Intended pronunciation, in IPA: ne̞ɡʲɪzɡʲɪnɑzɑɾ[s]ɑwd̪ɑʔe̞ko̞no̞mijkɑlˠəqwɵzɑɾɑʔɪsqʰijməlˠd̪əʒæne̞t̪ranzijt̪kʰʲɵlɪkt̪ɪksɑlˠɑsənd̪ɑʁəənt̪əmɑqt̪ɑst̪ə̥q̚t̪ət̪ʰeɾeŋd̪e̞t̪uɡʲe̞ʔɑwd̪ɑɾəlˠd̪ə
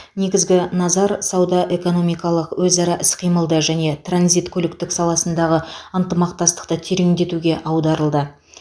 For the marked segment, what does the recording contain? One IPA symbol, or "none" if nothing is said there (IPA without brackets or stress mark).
s